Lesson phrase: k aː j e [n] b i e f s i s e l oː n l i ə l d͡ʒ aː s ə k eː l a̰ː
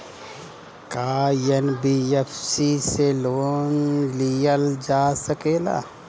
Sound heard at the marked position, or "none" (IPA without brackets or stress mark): n